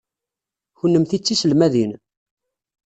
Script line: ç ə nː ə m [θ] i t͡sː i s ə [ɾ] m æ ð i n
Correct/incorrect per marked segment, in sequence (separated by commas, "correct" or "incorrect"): correct, incorrect